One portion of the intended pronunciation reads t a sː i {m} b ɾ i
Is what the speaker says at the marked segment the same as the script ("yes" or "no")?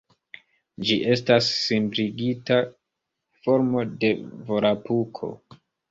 yes